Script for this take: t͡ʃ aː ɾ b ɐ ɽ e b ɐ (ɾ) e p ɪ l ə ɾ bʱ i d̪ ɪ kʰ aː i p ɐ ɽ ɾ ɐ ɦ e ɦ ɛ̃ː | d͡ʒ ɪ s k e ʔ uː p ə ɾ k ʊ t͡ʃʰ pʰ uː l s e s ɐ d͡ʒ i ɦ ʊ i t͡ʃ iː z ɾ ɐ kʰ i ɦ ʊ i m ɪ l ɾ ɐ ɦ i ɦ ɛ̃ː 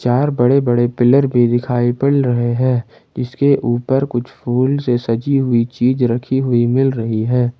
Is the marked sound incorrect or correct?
incorrect